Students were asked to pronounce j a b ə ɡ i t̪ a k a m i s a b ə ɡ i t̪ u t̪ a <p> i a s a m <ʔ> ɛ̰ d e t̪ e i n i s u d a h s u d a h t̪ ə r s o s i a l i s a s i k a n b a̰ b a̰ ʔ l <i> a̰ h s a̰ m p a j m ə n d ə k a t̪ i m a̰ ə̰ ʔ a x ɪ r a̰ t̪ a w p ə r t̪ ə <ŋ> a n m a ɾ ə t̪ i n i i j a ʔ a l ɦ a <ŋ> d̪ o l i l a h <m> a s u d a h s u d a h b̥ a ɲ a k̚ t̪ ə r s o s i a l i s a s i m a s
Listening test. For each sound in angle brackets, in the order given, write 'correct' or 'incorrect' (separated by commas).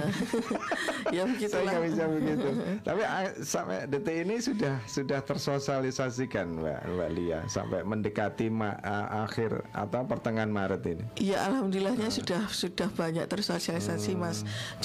correct, incorrect, correct, correct, incorrect, incorrect